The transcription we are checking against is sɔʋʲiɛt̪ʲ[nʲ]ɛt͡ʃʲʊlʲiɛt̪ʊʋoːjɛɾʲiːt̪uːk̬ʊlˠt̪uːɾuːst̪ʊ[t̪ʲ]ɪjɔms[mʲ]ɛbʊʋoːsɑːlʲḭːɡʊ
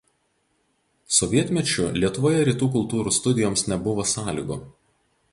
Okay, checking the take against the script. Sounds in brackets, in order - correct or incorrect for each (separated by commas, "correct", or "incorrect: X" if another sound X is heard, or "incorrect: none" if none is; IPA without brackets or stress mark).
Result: incorrect: mʲ, incorrect: d̪ʲ, incorrect: nʲ